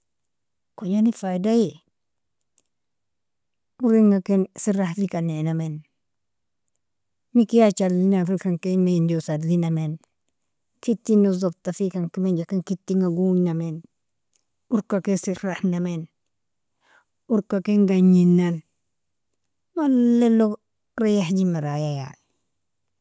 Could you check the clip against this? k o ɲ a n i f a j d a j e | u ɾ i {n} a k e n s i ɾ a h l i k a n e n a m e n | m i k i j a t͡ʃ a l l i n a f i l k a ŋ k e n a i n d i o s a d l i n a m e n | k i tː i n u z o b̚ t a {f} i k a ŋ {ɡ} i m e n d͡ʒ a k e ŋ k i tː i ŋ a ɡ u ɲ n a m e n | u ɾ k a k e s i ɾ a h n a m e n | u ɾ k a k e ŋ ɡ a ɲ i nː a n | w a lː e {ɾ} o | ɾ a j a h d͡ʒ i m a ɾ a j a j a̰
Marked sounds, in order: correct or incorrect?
incorrect: ŋ, correct, incorrect: k, incorrect: l

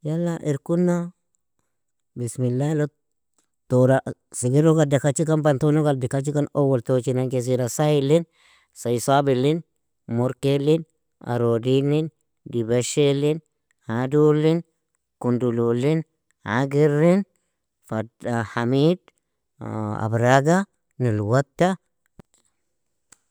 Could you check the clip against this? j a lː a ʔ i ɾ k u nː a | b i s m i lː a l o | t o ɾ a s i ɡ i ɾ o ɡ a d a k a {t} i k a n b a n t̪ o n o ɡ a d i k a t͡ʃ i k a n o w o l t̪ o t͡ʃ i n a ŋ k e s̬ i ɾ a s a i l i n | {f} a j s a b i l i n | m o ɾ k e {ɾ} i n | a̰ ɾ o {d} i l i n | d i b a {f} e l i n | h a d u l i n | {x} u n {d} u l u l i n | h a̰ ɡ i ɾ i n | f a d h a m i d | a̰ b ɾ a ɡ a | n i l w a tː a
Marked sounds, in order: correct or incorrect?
incorrect: t͡ʃ, incorrect: s, incorrect: l, correct, incorrect: ʃ, incorrect: k, correct

